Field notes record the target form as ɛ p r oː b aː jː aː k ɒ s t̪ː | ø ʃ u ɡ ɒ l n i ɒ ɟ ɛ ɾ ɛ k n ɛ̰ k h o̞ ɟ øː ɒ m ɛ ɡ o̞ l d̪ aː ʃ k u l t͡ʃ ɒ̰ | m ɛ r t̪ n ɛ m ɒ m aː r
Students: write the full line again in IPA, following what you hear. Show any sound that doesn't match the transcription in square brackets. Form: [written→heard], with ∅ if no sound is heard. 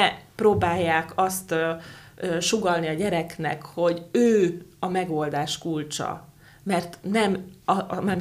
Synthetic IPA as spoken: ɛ p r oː b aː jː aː k ɒ s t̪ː | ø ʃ u ɡ ɒ l n i ɒ ɟ ɛ ɾ ɛ k n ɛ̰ k h o̞ ɟ øː ɒ m ɛ ɡ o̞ l d̪ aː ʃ k u l t͡ʃ ɒ̰ | m ɛ r t̪ n ɛ m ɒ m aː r